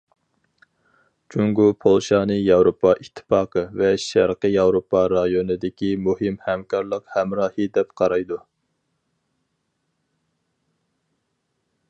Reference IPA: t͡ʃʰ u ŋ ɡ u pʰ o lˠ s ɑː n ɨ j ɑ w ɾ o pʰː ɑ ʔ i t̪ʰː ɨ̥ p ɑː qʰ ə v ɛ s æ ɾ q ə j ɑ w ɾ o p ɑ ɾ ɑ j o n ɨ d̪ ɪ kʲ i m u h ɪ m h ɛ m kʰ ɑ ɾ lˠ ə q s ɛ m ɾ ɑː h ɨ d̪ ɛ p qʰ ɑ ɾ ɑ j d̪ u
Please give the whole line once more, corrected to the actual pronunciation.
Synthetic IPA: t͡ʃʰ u ŋ ɡ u pʰ o lˠ ʃ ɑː n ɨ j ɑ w ɾ o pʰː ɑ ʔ i t̪ʰː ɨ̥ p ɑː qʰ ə v ɛ ʃ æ ɾ q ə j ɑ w ɾ o p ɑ ɾ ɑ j o n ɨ d̪ ɪ kʲ i m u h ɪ m h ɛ m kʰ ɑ ɾ lˠ ə q h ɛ m ɾ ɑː h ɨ d̪ ɛ p qʰ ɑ ɾ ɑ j d̪ u